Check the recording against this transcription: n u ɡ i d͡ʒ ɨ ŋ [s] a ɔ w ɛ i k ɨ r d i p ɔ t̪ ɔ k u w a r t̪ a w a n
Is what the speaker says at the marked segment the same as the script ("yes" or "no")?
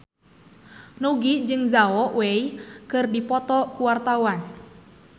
no